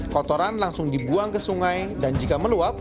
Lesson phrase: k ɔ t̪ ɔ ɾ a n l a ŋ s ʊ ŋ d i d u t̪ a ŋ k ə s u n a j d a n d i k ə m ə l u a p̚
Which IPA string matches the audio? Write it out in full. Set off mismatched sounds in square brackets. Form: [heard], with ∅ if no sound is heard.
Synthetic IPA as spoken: k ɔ t̪ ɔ ɾ a n l a ŋ s ʊ ŋ d i [b] u [∅] a ŋ k ə s u [ŋ] a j d a n [d͡ʒ] i k [a] m ə l u a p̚